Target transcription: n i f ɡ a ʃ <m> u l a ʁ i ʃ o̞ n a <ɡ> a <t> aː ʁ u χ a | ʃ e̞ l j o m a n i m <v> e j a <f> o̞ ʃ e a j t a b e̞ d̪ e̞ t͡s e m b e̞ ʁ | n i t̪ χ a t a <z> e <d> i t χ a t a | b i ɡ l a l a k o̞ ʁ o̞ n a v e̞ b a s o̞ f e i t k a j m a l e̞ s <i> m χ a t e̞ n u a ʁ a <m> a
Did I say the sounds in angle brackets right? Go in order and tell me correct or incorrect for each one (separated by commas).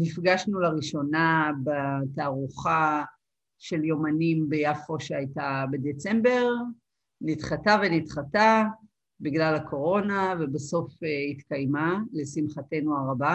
incorrect, incorrect, correct, incorrect, correct, incorrect, incorrect, correct, incorrect